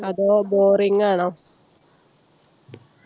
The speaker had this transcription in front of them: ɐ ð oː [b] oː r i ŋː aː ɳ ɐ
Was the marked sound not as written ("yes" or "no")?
no